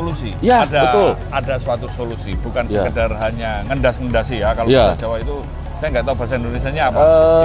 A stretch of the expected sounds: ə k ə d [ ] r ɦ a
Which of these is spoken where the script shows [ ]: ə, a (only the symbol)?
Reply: a